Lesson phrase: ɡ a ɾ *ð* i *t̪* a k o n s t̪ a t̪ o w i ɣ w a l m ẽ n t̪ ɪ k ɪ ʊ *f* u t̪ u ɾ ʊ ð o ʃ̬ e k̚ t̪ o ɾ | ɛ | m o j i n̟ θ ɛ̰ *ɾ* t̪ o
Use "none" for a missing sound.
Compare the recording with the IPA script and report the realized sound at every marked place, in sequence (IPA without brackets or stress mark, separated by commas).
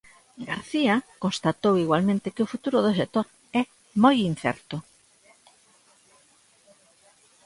θ, none, f, ɾ